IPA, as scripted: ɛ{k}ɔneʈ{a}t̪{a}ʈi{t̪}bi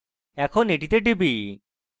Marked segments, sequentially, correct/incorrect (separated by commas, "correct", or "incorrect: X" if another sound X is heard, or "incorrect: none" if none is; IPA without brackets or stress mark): incorrect: kʰ, incorrect: i, incorrect: e, incorrect: none